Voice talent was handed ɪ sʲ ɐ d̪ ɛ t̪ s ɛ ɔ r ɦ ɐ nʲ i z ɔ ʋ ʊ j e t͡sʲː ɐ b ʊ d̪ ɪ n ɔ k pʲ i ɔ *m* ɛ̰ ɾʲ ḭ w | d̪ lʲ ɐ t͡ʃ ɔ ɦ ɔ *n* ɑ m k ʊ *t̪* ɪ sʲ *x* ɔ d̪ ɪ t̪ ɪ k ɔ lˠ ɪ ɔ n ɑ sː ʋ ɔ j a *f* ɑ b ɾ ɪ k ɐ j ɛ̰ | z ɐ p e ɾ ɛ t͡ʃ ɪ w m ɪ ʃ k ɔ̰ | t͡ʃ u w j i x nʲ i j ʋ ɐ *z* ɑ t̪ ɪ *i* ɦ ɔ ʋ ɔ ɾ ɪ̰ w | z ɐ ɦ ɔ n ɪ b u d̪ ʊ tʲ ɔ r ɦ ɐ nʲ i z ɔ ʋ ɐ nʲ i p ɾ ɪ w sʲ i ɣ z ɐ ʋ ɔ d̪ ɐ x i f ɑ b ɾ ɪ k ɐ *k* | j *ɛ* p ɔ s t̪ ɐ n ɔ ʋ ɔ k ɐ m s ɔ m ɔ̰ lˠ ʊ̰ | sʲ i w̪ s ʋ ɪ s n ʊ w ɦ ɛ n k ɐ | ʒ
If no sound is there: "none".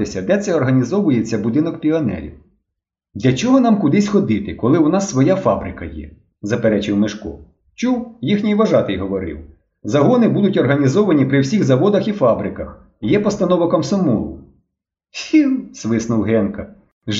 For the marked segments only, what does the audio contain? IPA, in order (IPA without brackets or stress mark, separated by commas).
n, n, d̪, x, f, ʒ, j, x, ɛ